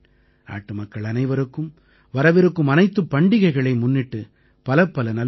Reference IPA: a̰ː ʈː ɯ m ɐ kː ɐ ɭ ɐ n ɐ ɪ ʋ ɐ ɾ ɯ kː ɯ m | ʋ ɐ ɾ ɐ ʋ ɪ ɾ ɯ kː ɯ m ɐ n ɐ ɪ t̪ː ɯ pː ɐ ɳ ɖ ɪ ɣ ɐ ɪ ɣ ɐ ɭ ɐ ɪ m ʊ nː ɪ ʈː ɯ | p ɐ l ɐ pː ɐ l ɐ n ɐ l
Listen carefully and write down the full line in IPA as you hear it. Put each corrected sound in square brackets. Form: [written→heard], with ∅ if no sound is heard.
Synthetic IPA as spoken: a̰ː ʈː ɯ m ɐ kː ɐ ɭ ɐ n ɐ ɪ ʋ ɐ ɾ ɯ kː ɯ m | ʋ ɐ ɾ ɐ ʋ ɪ ɾ ɯ kː ɯ m ɐ n ɐ ɪ t̪ː ɯ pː ɐ ɳ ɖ ɪ ɣ ɐ ɪ ɣ ɐ ɭ ɐ ɪ m ʊ nː ɪ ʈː ɯ | p ɐ l ɐ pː ɐ l ɐ n ɐ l

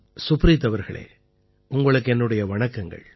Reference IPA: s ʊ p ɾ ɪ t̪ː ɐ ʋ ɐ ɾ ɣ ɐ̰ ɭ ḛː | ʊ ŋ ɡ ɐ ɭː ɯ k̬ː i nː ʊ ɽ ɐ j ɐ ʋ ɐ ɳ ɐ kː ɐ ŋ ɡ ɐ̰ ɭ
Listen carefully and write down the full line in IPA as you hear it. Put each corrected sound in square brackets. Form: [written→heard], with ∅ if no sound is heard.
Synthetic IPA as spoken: s ʊ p ɾ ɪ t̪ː ɐ ʋ ɐ ɾ ɣ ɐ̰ ɭ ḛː | ʊ ŋ ɡ ɐ [ɭː→ɭ] ɯ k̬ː [i→ɛ] nː [ʊ→ɯ] ɽ ɐ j ɐ ʋ ɐ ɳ ɐ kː ɐ ŋ ɡ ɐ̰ ɭ

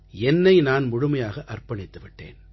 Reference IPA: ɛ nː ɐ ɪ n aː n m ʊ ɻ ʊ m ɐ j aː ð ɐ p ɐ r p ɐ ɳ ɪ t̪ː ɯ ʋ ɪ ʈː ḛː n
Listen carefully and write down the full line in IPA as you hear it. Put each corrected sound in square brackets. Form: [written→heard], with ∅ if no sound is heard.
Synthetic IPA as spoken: ɛ nː ɐ ɪ n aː n m ʊ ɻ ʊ m ɐ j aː [ð→ɣ] ɐ [p→ʔ] ɐ r p ɐ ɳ ɪ t̪ː ɯ ʋ ɪ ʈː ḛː n

